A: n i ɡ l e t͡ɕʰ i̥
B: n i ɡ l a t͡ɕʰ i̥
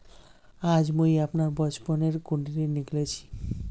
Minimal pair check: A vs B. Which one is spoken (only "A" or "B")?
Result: A